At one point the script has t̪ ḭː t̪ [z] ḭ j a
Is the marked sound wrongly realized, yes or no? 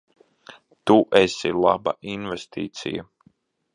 yes